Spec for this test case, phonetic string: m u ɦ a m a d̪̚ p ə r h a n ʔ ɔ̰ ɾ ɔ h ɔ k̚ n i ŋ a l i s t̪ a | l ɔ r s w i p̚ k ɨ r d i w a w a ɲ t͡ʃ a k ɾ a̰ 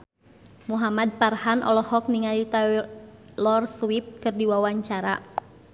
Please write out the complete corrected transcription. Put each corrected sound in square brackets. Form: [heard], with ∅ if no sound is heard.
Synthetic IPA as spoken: m u ɦ a m a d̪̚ p [a] r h a n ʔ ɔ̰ [l] ɔ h ɔ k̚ n i ŋ a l i [∅] t̪ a | l ɔ r s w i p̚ k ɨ r d i w a w a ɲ t͡ʃ a [∅] ɾ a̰